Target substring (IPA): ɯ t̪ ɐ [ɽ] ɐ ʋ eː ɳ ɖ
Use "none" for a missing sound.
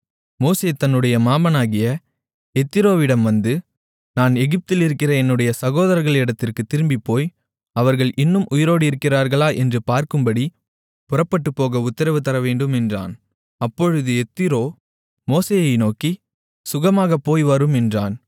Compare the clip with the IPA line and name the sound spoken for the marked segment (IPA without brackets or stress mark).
ɾ